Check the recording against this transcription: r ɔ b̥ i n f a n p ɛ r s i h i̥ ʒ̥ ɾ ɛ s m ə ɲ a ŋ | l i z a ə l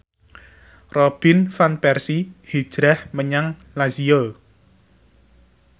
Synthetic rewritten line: r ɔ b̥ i n f a n p ɛ r s i h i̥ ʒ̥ ɾ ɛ h m ə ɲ a ŋ | l a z i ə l